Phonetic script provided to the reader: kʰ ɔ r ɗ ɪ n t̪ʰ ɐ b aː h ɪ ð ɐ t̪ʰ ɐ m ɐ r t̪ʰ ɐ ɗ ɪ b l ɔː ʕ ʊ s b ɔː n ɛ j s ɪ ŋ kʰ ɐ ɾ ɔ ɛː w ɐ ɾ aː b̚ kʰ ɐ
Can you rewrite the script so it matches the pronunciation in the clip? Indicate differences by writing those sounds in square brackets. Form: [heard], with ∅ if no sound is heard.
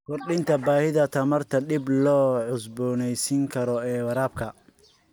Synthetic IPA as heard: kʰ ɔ r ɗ ɪ n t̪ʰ ɐ b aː h ɪ ð ɐ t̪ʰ ɐ m ɐ r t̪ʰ ɐ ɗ ɪ b l ɔː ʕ ʊ s b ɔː n ɛ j s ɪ ŋ kʰ ɐ ɾ ɔ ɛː w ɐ ɾ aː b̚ kʰ ɐ